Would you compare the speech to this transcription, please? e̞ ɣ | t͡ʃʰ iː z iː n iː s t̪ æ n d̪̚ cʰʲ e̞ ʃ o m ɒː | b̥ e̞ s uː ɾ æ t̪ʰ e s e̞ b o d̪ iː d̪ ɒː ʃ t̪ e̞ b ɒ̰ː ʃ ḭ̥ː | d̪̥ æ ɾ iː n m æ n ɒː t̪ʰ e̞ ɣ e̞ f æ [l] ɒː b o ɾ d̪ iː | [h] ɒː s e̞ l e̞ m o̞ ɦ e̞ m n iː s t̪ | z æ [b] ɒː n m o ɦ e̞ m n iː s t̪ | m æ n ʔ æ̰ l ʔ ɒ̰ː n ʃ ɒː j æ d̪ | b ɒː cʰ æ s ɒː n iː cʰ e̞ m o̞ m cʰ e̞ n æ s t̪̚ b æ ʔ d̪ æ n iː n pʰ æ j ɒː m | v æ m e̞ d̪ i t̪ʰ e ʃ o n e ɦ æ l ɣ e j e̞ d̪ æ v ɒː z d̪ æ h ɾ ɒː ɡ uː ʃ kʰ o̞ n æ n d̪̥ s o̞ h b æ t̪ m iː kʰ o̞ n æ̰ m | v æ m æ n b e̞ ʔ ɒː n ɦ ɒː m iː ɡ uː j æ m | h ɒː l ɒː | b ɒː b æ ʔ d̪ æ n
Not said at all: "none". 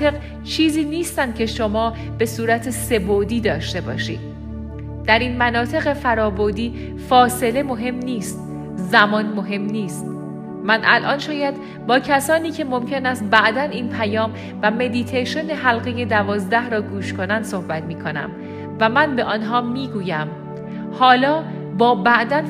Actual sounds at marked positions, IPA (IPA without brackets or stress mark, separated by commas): ɾ, f, m